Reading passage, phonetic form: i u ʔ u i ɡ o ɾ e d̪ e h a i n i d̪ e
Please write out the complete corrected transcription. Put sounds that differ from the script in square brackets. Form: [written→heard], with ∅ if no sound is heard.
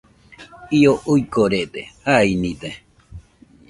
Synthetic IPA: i [u→o] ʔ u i [ɡ→k] o ɾ e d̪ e h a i n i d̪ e